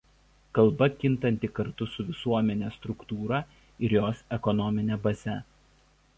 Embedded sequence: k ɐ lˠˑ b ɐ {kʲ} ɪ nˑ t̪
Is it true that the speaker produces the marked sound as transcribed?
yes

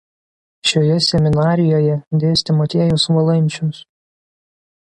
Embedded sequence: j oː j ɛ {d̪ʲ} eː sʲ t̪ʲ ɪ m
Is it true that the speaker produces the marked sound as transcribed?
yes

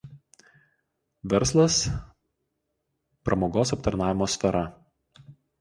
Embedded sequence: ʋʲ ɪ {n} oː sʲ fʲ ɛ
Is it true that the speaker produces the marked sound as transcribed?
no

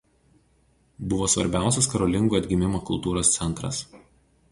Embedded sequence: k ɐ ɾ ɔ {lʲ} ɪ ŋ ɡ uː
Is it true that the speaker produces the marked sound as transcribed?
yes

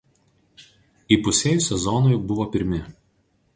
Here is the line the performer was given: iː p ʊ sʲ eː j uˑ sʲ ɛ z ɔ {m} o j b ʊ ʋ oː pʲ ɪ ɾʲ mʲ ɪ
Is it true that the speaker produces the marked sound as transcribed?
no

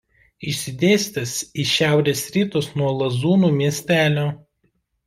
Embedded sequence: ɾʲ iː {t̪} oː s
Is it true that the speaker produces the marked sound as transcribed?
yes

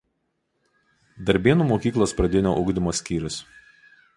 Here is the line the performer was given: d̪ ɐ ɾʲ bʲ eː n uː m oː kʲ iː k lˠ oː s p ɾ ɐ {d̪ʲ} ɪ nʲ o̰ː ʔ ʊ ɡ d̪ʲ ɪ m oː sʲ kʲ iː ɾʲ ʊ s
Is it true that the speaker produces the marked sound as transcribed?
yes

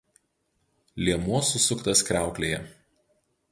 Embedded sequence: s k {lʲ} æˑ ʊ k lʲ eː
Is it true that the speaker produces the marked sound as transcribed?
no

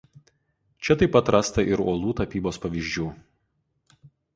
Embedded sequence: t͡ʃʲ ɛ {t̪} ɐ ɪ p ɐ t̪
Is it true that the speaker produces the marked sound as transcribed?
yes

